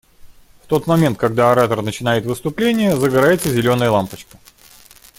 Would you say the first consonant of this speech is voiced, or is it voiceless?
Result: voiceless